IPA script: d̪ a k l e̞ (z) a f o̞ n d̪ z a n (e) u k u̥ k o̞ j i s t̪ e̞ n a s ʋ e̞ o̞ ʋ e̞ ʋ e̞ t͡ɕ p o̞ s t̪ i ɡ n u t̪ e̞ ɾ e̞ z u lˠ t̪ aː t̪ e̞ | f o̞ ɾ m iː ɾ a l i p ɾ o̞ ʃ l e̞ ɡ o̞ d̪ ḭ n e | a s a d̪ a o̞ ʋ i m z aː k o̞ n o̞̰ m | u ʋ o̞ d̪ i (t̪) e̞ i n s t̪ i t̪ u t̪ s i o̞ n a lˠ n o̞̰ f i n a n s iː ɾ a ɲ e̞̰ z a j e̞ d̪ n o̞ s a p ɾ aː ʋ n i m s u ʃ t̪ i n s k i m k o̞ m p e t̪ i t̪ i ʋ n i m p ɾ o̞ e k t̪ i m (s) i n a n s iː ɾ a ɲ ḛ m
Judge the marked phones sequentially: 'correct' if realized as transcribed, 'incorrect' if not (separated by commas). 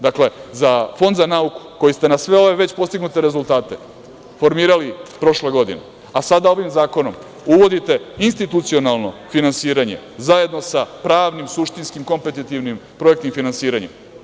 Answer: correct, incorrect, correct, incorrect